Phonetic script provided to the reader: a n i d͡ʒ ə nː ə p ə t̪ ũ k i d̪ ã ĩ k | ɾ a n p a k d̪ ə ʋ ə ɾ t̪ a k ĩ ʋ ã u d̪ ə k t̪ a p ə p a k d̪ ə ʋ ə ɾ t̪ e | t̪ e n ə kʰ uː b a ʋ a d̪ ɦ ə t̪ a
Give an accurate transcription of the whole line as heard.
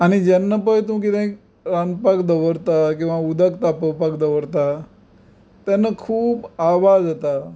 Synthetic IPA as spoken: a n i d͡ʒ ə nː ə p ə t̪ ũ k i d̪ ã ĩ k | ɾ a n p a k d̪ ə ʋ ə ɾ t̪ a k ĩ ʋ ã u d̪ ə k t̪ a p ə p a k d̪ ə ʋ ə ɾ t̪ a | t̪ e n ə kʰ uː b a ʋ a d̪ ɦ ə t̪ a

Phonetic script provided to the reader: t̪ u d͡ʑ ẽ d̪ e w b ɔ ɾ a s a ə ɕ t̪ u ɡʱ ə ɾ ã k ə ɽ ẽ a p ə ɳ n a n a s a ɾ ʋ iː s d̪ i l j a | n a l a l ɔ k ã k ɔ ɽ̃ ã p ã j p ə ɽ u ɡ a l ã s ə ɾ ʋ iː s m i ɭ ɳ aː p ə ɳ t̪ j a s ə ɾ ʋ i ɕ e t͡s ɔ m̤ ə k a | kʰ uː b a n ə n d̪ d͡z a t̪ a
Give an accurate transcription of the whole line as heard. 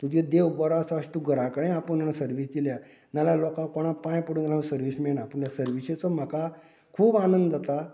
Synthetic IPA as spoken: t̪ u d͡ʑ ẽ d̪ e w b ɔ ɾ a s a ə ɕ t̪ u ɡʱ ə ɾ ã k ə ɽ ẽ a p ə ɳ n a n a s ə ɾ ʋ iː s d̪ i l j a | n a l a l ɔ k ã k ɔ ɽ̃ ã p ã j p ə ɽ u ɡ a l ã s ə ɾ ʋ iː s m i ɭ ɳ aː p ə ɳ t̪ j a s ə ɾ ʋ i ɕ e t͡s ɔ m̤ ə k a | kʰ uː b a n ə n d̪ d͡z a t̪ a

